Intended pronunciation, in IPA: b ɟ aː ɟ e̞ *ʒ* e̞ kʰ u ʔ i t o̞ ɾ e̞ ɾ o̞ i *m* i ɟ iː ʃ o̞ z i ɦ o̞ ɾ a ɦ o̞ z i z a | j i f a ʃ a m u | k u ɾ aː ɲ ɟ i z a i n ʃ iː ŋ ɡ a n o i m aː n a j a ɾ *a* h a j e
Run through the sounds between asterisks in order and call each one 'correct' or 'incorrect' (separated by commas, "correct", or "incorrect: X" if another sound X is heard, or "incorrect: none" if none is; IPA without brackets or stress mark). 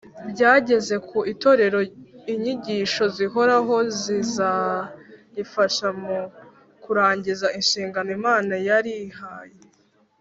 incorrect: z, incorrect: ɲ, incorrect: i